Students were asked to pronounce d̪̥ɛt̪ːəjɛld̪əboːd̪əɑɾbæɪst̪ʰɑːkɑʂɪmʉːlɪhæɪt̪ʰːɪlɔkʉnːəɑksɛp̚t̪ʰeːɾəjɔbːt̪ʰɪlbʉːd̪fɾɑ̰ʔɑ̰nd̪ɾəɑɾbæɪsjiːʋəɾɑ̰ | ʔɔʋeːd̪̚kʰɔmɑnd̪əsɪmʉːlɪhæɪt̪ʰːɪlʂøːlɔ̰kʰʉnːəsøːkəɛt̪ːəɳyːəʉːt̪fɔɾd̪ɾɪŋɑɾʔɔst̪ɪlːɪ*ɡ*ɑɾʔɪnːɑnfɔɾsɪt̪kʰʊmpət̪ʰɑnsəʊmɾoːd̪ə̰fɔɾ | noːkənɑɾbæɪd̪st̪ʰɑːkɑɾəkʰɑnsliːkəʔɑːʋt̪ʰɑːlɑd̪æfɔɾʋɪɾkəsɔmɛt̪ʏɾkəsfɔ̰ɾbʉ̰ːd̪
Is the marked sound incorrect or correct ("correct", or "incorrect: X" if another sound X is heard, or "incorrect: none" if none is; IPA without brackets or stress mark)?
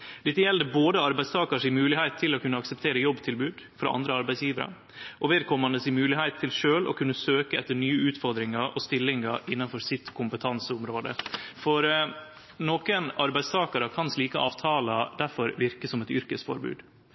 incorrect: ŋ